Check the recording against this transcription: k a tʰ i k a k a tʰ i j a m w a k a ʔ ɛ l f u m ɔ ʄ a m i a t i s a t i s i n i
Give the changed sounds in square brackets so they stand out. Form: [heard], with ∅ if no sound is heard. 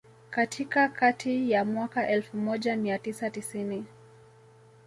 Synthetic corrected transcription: k a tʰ i k a k a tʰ i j a m w a k a ʔ ɛ l f u m ɔ ʄ a m i a t i s a t i s i n i